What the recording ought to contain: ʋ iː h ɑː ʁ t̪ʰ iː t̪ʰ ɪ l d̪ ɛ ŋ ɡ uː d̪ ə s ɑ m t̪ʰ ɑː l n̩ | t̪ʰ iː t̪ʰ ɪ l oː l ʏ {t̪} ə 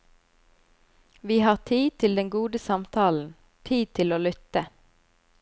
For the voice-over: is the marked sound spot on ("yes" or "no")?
yes